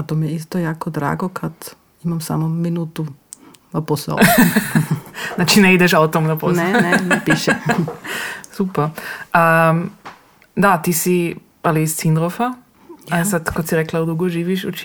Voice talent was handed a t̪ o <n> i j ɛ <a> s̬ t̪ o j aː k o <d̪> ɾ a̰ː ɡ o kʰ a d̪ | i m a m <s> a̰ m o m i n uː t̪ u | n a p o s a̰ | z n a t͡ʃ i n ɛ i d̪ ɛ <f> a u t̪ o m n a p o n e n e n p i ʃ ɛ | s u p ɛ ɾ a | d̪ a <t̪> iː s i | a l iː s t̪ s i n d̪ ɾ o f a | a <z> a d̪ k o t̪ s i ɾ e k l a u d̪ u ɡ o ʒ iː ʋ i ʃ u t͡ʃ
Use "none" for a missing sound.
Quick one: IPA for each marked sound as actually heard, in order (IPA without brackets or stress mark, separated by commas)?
m, i, d̪, s, ʃ, t̪, s